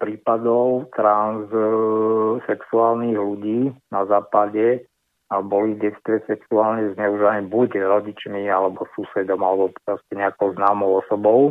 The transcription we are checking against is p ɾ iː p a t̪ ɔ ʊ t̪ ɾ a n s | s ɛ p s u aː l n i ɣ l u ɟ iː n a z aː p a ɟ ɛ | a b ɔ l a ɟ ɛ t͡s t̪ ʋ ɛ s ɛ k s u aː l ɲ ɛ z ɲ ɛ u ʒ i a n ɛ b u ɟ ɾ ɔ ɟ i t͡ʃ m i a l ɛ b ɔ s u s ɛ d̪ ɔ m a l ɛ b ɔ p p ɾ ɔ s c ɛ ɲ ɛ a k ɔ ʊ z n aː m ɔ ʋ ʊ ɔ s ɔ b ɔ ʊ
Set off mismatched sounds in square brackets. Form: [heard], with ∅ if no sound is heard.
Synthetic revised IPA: p ɾ iː p a [d̪] ɔ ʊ t̪ ɾ a n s | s ɛ [k] s u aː l n i ɣ l u ɟ iː n a z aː p a ɟ ɛ | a b ɔ l [i] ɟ ɛ t͡s t̪ ʋ ɛ s ɛ k s u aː l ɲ ɛ z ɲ ɛ u ʒ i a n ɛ b u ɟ ɾ ɔ ɟ i t͡ʃ m i a l ɛ b ɔ s u s ɛ d̪ ɔ m a l ɛ b ɔ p p ɾ ɔ s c ɛ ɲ ɛ a k ɔ ʊ z n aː m ɔ [∅] ʊ ɔ s ɔ b ɔ ʊ